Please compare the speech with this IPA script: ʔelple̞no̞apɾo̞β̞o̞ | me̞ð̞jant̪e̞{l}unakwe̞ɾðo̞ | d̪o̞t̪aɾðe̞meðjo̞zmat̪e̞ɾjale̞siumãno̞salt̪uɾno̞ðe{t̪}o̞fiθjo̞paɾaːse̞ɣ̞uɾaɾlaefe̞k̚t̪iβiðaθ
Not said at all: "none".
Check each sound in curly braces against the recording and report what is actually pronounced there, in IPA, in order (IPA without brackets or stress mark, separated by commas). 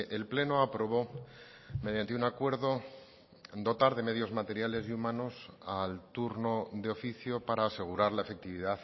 none, none